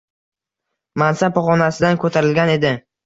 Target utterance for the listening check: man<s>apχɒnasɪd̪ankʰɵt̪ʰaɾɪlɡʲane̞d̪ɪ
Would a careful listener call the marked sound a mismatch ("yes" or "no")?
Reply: no